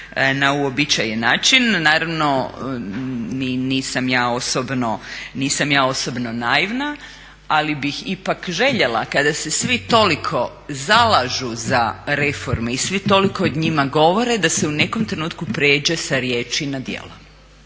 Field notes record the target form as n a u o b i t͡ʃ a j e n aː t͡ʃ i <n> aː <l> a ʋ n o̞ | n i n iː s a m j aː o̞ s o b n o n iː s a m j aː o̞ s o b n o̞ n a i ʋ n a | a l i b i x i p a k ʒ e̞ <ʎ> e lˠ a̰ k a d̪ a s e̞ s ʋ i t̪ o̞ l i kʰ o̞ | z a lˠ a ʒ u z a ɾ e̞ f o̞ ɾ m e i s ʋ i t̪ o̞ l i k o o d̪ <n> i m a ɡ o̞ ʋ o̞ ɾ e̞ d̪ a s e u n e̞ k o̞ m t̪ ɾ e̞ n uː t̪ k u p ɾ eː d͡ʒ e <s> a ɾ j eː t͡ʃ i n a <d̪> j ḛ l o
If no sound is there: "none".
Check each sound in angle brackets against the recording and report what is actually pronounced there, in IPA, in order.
nː, ɾ, ʎ, ɲ, s, d̪

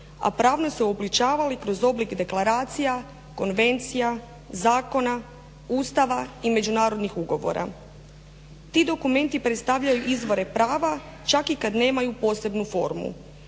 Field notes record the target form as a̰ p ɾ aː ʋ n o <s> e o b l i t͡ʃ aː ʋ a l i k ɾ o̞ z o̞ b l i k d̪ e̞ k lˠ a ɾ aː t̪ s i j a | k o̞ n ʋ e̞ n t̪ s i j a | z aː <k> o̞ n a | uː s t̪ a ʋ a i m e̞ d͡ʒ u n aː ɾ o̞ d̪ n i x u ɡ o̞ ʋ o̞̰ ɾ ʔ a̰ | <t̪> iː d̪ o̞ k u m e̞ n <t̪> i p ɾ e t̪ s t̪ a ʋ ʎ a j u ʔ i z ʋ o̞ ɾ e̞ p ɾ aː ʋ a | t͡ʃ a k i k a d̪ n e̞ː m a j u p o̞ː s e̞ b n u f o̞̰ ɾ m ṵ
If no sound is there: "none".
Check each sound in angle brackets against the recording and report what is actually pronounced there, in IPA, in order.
s, k, t̪, t̪

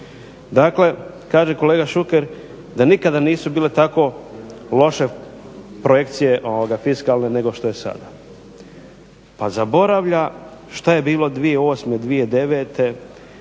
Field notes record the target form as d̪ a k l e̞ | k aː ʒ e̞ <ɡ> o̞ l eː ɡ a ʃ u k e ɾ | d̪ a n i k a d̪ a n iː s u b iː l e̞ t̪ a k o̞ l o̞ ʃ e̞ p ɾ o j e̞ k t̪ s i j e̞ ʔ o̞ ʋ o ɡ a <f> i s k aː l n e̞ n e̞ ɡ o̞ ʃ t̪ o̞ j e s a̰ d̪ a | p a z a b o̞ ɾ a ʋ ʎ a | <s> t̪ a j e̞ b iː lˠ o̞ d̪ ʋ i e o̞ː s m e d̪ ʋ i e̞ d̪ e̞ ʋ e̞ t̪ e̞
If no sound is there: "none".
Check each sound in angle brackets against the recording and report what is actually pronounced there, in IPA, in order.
k, f, ʃ

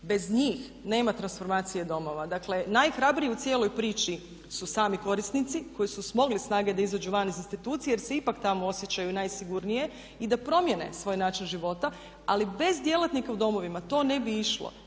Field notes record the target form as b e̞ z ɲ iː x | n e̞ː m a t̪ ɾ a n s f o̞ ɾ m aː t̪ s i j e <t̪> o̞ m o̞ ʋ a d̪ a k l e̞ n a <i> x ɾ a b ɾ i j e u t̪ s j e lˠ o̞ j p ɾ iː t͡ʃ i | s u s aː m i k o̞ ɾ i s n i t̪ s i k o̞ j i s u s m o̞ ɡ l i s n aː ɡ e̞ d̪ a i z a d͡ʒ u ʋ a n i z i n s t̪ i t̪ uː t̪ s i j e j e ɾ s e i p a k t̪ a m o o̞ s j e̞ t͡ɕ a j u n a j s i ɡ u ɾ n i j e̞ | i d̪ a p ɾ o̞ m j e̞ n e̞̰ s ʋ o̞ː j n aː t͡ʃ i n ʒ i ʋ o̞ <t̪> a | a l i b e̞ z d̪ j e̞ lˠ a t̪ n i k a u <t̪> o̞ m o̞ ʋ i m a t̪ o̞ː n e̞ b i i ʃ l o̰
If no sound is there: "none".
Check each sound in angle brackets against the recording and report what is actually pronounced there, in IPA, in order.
d̪, j, t̪, d̪

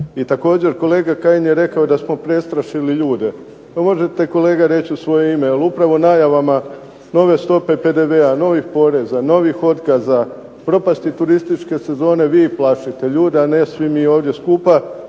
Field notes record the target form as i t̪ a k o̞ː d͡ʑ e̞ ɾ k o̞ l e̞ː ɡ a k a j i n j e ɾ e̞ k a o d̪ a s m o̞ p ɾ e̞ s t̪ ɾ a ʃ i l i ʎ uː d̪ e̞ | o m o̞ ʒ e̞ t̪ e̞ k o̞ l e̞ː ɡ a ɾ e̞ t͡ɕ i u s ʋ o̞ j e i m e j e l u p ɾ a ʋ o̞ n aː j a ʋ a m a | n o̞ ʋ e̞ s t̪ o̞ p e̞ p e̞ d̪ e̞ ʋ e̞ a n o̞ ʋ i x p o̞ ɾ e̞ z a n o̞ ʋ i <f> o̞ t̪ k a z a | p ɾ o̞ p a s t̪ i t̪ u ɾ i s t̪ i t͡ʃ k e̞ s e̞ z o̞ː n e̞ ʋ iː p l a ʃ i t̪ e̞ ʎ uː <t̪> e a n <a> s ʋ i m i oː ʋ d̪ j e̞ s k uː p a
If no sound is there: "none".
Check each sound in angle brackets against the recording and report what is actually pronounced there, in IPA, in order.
x, d̪, e

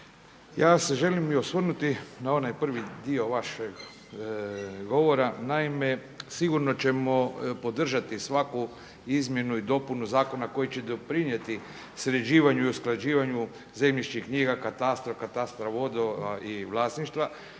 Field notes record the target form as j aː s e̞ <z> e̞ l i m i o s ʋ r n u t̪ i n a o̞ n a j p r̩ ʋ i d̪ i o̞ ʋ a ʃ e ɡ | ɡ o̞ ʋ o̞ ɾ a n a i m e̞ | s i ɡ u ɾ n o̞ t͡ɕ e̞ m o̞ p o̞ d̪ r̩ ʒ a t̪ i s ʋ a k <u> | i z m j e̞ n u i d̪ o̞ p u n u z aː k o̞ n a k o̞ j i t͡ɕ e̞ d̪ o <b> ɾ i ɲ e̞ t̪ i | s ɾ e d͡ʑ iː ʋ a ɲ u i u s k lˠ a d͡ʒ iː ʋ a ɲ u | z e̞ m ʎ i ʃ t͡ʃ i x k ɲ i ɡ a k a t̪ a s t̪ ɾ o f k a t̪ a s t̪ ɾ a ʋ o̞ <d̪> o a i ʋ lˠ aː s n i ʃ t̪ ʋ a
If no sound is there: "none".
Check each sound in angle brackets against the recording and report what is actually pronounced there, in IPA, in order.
ʒ, u, p, d̪

